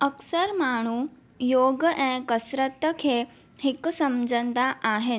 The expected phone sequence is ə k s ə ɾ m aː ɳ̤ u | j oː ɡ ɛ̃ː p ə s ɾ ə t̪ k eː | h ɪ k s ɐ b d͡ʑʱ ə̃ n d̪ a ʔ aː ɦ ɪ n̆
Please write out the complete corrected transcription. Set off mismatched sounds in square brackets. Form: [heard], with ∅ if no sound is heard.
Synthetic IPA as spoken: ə k s ə ɾ m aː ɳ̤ u | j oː ɡ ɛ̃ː [k] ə s ɾ ə t̪ [kʰ] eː | h ɪ k s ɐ [m] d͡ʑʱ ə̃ n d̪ a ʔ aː ɦ ɪ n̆